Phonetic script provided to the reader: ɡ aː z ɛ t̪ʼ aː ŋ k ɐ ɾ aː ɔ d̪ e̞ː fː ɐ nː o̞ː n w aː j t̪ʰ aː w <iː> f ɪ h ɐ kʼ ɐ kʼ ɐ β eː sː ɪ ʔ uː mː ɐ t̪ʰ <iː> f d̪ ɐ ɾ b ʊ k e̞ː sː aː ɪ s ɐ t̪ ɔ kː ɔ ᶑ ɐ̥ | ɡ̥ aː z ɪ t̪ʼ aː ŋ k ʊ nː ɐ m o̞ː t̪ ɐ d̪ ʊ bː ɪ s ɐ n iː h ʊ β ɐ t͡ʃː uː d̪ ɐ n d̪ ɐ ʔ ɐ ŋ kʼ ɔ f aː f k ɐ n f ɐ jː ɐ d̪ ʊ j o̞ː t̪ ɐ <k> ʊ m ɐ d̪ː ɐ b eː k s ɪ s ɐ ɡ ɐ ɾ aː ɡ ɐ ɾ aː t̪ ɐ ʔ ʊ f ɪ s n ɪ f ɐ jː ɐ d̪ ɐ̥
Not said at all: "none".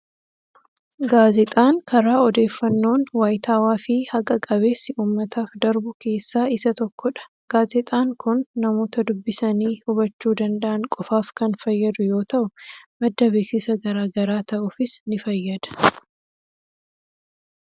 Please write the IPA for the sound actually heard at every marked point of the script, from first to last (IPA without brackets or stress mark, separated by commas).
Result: aː, aː, ʔ